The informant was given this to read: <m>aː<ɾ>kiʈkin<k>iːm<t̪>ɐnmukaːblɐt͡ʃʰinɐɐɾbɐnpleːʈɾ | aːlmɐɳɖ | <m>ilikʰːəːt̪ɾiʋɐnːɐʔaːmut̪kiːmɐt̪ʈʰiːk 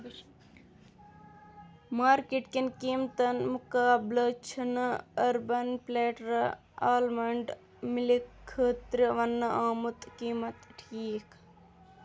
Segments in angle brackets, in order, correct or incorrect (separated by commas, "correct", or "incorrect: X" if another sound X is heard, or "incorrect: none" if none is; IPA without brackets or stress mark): correct, correct, correct, correct, correct